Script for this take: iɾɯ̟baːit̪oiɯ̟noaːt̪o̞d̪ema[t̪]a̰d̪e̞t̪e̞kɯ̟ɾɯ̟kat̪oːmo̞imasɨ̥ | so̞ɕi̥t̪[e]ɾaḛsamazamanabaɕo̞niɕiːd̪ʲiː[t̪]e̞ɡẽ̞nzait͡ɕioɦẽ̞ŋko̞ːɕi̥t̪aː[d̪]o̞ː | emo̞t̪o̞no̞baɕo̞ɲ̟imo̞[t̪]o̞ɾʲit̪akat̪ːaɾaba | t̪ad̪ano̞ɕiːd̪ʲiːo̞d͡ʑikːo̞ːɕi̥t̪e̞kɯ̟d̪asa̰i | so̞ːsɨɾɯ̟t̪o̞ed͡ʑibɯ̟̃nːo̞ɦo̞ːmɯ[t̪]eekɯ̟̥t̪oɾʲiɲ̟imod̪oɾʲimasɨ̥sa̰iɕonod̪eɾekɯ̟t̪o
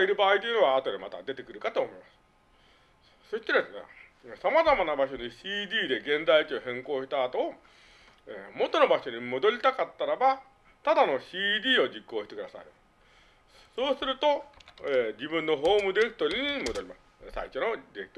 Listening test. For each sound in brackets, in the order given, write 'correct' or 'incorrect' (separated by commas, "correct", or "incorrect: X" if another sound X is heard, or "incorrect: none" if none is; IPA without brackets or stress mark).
correct, correct, incorrect: d̪, incorrect: t̪, incorrect: d̪, incorrect: d̪